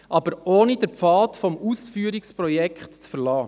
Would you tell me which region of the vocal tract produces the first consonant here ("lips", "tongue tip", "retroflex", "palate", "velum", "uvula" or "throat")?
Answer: throat